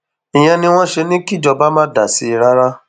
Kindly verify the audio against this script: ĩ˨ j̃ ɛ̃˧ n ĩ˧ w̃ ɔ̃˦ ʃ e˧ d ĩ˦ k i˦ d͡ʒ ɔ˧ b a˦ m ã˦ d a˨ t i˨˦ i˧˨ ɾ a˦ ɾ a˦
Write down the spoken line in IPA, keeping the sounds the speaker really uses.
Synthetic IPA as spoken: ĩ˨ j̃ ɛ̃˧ n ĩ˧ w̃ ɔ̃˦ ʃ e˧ n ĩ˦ k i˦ d͡ʒ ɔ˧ b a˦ m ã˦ d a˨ s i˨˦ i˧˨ ɾ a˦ ɾ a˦